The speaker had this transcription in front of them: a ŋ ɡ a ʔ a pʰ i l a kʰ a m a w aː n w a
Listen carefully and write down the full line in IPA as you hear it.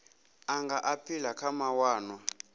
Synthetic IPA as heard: a ŋ ɡ a ʔ a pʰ i l a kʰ a m a w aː n w a